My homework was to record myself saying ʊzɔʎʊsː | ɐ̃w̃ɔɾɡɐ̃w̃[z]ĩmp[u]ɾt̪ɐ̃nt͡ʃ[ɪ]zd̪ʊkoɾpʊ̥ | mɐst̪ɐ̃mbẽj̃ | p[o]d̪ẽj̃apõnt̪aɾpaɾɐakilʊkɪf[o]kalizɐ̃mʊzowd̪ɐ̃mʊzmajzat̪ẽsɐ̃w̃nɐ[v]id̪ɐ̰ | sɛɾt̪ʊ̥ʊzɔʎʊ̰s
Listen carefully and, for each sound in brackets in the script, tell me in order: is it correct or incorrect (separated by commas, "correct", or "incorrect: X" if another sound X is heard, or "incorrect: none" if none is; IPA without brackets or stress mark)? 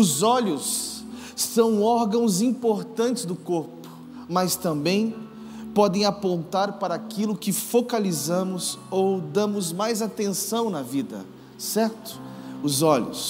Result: correct, incorrect: o, correct, incorrect: ɔ, correct, correct